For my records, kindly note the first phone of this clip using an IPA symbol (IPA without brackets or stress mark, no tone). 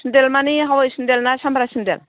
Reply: n